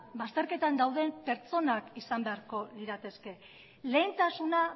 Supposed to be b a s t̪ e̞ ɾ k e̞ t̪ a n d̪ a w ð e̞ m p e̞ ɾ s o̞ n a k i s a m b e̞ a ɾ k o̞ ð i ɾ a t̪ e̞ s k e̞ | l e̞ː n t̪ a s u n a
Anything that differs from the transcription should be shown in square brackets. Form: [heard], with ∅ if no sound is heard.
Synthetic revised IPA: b a s t̪ e̞ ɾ k e̞ t̪ a n d̪ a w ð e̞ m p e̞ ɾ [t͡s] o̞ n a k i s a m b e̞ a ɾ k o̞ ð i ɾ a t̪ e̞ s k e̞ | l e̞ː n t̪ a s u n a